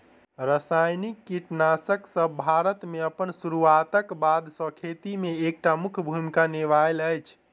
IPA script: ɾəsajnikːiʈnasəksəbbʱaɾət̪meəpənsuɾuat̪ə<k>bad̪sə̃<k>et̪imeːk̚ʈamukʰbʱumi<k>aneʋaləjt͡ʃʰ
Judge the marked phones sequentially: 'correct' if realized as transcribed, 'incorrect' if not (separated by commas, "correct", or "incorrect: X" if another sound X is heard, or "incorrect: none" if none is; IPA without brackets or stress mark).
correct, incorrect: kʰ, correct